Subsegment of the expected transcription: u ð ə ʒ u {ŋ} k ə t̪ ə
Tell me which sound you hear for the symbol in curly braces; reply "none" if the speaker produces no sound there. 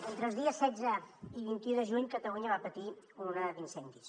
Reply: ɲ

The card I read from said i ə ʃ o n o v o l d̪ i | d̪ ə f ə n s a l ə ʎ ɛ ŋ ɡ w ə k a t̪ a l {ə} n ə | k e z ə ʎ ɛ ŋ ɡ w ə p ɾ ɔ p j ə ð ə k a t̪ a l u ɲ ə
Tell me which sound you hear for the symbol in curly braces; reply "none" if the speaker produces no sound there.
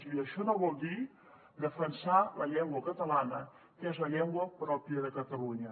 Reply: a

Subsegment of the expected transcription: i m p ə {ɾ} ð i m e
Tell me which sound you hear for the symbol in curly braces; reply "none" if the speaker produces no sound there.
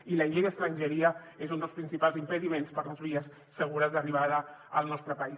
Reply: none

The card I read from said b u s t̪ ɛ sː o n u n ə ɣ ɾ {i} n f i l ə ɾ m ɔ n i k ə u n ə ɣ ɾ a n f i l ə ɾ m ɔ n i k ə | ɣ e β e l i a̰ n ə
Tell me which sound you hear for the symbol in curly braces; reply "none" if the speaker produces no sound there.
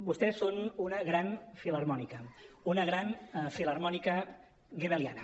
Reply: a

